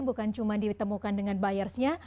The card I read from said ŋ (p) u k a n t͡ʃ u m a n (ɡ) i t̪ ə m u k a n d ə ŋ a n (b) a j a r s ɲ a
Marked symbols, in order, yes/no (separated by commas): no, no, yes